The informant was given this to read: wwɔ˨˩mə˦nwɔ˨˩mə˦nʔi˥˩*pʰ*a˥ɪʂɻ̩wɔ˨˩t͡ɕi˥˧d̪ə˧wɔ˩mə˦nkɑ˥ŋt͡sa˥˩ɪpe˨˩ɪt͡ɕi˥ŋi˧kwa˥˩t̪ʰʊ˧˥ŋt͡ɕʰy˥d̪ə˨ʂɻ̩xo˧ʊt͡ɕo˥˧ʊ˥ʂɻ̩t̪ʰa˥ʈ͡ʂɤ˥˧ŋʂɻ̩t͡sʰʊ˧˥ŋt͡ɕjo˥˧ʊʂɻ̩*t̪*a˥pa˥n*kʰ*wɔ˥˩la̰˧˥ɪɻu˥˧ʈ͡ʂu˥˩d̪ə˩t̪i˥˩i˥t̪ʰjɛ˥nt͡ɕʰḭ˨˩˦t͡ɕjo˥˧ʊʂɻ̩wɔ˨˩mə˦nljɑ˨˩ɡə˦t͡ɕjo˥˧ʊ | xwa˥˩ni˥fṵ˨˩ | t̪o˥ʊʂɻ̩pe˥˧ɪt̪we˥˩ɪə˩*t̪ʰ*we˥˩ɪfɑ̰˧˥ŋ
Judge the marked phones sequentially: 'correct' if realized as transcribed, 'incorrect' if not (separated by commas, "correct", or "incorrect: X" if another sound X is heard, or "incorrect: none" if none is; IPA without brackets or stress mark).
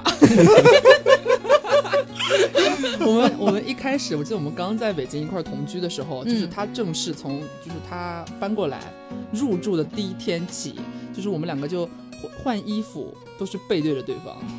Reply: incorrect: kʰ, incorrect: t̪ʰ, incorrect: k, incorrect: t̪